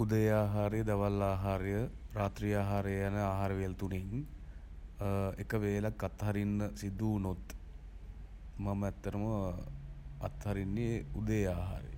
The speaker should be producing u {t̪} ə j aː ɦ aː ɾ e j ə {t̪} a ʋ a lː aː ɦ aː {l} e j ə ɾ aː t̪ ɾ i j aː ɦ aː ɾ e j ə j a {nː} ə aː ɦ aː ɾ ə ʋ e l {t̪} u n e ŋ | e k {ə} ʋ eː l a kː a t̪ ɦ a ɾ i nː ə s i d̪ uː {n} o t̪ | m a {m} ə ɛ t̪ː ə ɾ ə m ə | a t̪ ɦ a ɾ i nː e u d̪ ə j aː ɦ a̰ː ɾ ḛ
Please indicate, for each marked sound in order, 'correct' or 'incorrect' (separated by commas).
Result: incorrect, incorrect, incorrect, incorrect, correct, correct, correct, correct